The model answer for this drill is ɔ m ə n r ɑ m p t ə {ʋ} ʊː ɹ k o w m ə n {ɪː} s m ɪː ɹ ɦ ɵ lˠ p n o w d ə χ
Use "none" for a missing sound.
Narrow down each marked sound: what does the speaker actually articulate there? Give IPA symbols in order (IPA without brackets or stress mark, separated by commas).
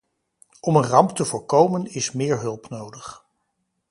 v, ɪ